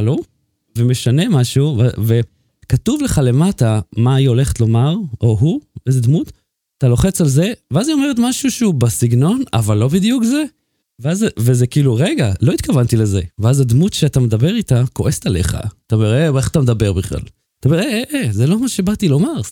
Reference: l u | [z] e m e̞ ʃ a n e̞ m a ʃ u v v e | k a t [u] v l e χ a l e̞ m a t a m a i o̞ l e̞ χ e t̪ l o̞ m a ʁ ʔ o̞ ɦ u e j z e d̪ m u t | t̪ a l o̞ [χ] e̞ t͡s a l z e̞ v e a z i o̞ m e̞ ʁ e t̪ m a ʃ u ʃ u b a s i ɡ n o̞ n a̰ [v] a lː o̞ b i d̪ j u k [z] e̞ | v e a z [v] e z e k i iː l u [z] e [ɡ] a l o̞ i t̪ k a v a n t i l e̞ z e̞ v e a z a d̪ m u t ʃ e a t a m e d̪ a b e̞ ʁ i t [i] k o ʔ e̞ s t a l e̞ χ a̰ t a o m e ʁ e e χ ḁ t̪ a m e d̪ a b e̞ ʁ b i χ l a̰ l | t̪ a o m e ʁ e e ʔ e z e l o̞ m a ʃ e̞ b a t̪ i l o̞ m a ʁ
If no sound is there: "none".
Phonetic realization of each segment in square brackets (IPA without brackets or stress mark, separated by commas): v, u, χ, v, z, v, ʁ, ɡ, a